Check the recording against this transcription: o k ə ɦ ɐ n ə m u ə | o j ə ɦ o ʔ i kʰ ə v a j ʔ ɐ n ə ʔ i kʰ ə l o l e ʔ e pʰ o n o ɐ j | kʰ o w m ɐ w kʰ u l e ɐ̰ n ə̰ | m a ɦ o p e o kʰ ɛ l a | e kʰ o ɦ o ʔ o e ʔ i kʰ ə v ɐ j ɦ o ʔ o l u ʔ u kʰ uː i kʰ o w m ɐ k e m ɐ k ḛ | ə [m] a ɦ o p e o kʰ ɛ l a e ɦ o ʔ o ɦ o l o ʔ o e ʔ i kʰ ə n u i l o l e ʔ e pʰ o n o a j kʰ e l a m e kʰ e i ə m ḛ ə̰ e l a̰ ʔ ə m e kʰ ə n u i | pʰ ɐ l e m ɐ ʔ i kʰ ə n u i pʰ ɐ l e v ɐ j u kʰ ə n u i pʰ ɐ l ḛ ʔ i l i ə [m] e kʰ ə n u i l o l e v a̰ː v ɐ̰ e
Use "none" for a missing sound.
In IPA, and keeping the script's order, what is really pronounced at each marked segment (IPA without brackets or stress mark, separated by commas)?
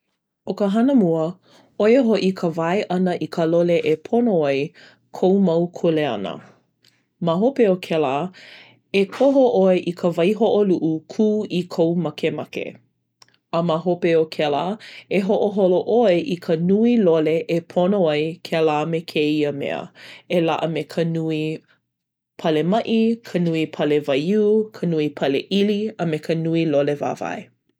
m, m